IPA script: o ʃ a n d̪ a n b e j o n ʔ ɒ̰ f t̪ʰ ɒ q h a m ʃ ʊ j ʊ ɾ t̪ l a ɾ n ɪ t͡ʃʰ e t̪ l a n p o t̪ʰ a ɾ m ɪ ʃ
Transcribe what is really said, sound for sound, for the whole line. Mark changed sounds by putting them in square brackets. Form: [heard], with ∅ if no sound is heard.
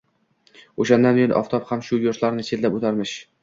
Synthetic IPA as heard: o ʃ a n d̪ a n b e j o n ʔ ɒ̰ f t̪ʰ ɒ [p] h a m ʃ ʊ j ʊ ɾ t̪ l a ɾ n ɪ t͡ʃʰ e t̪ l a [∅] p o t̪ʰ a ɾ m ɪ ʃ